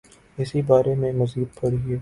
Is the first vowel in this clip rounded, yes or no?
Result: no